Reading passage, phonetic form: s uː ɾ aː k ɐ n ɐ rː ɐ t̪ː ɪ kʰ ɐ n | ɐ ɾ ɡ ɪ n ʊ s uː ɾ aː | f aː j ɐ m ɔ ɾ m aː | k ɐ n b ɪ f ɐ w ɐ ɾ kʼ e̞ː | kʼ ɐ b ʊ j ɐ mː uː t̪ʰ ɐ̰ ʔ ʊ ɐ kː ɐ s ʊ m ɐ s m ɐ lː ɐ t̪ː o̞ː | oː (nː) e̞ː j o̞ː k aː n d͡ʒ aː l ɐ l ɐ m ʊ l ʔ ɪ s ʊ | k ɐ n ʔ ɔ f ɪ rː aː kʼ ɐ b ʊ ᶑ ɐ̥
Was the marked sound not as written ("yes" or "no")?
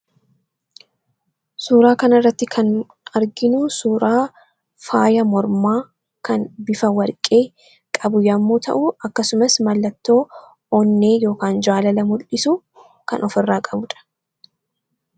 no